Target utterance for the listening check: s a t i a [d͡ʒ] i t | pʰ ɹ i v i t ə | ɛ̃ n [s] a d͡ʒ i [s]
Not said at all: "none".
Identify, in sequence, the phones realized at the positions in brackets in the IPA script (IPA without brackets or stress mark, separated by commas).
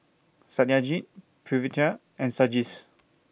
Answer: d͡ʒ, s, s